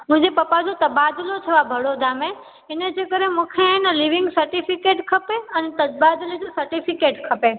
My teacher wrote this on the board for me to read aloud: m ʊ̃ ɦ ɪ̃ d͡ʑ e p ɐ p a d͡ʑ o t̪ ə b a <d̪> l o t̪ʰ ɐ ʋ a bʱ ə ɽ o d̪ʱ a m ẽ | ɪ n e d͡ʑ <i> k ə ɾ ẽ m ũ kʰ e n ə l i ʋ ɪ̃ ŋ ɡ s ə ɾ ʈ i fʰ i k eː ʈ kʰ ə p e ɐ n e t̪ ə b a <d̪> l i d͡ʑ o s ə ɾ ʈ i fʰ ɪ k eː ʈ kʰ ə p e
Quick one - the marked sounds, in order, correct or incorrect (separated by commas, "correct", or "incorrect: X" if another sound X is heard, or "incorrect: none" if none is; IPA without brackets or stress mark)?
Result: correct, incorrect: e, correct